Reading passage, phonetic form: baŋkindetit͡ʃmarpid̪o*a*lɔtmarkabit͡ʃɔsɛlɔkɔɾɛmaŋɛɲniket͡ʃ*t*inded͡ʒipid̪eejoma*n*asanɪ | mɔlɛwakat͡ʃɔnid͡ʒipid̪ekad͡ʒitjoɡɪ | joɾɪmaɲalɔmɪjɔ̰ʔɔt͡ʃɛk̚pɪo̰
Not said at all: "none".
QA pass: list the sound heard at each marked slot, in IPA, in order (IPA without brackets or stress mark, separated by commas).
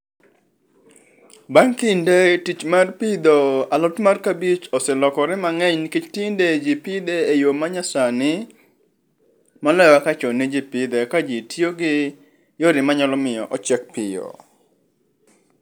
a, t, ɲ